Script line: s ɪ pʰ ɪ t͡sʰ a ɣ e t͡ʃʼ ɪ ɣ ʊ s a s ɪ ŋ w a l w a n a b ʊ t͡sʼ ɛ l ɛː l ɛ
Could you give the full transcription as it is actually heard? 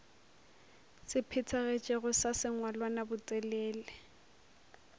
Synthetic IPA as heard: s ɪ pʰ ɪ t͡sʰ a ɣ e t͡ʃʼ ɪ ɣ ʊ s a s ɪ ŋ w a l w a n a b ʊ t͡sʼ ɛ l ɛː l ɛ